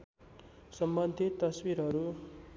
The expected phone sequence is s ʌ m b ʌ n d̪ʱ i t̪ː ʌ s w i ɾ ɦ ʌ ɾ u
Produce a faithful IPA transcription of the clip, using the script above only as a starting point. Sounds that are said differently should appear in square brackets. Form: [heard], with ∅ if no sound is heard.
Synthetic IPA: s ʌ m b ʌ n d̪ʱ i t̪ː ʌ s w i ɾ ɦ ʌ ɾ u